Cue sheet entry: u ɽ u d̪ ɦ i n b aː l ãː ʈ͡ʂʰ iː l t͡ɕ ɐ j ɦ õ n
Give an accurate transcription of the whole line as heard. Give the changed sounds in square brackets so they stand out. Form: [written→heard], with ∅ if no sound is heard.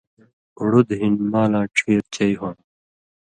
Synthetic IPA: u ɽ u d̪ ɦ i n [b→m] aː l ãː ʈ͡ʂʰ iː [l→ɾ] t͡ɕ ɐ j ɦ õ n